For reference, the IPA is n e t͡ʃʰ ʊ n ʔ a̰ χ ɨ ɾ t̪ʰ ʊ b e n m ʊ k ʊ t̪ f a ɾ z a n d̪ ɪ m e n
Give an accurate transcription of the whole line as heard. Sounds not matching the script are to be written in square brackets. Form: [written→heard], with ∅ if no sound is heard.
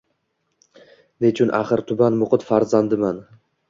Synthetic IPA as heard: n e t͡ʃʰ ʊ n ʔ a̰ χ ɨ ɾ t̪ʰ ʊ b [e→a] n m ʊ [k→q] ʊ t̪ f a ɾ z a n d̪ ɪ m [e→a] n